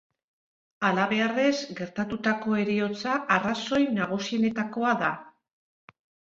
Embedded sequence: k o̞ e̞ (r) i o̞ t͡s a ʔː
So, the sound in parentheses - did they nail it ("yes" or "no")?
no